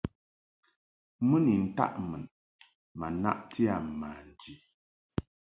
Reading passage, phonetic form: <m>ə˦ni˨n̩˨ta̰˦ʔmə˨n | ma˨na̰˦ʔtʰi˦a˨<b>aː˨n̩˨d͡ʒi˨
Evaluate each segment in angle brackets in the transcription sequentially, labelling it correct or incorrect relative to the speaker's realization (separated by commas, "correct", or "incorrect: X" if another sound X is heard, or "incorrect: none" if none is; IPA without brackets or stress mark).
correct, incorrect: m